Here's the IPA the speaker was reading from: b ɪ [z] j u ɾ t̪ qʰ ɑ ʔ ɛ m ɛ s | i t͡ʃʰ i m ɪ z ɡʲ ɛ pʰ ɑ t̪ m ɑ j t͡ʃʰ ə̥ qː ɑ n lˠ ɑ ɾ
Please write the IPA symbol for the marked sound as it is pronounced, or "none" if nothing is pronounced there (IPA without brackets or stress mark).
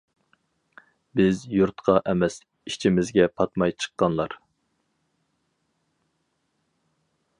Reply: z